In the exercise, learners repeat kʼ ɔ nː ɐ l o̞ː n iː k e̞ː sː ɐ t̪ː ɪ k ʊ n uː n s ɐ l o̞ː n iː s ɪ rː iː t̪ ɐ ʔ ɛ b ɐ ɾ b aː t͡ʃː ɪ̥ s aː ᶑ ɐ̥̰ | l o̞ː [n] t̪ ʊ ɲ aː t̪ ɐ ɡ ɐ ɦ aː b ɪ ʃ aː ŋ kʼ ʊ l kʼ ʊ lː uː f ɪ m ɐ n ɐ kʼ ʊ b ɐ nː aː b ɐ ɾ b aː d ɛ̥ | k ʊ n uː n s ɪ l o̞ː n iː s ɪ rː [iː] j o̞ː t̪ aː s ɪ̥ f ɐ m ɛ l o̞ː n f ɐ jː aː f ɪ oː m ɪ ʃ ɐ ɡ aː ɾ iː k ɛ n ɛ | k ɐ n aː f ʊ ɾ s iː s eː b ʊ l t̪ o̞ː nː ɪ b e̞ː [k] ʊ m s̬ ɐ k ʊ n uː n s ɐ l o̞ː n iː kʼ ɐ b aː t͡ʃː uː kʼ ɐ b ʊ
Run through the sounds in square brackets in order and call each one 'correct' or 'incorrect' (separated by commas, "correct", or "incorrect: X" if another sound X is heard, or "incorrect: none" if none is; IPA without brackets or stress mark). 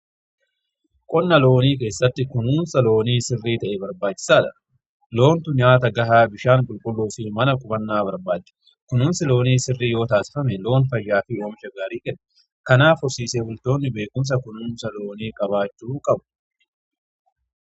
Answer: correct, correct, correct